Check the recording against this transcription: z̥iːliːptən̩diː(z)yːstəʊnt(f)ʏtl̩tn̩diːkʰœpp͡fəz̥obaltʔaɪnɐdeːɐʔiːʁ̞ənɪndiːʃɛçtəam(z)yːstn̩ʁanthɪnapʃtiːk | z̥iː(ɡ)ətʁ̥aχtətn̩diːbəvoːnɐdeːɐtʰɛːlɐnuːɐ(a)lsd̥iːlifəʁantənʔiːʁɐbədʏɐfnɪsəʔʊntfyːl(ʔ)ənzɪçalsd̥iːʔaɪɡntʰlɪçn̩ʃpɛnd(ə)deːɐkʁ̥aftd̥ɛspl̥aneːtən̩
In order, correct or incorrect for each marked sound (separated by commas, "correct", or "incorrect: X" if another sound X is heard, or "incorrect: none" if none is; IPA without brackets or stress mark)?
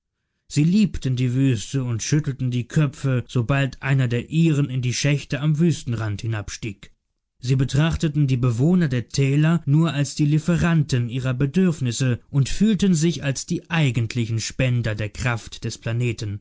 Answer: incorrect: v, incorrect: ʃ, incorrect: v, incorrect: b, correct, incorrect: t, incorrect: ɐ